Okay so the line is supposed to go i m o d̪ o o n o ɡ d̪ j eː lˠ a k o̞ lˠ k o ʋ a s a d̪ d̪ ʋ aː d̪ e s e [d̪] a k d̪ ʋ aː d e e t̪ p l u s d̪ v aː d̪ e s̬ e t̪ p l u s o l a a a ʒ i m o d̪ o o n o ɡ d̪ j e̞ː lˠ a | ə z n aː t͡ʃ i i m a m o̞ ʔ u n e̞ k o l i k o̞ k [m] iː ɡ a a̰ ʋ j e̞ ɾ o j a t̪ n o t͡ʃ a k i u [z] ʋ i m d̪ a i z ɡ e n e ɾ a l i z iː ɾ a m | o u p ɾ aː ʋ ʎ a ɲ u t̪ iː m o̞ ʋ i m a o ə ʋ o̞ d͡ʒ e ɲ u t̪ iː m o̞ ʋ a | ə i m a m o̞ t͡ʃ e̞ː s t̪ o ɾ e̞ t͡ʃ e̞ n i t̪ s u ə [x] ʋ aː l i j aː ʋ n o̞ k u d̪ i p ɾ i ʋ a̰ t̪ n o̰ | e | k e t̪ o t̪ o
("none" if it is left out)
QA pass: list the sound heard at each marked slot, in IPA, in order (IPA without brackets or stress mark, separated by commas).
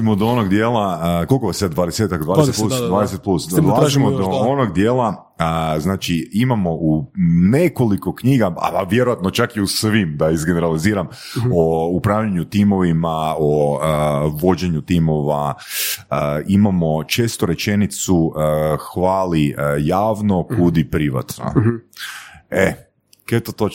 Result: t̪, ɲ, s, x